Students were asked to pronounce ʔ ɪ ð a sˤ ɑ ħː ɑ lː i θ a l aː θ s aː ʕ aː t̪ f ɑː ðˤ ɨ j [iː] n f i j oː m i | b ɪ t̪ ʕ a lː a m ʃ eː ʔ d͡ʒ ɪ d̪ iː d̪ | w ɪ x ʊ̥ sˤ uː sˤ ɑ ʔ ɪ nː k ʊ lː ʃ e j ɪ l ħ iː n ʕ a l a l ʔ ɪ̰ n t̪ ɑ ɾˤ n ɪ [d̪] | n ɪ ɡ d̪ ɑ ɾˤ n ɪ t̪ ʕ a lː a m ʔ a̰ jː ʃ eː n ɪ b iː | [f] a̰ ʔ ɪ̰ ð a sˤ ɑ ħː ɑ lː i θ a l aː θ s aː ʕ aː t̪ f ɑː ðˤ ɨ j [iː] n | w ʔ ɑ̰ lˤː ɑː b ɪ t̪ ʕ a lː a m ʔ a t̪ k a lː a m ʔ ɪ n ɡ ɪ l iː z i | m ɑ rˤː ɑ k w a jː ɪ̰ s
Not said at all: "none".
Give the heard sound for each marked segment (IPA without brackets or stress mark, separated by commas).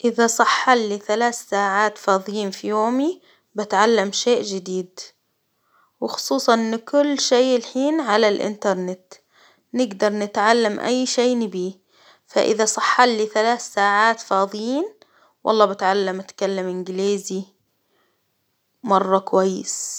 iː, t̪, f, iː